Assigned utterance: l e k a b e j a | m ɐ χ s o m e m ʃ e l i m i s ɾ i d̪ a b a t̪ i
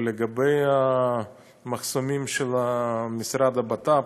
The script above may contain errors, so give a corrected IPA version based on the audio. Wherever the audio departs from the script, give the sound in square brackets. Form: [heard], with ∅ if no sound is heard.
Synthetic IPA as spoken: l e [ɡ] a b e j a | m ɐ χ s o m [i] m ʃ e l [a] m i s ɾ [a] d̪ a b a t̪ [a]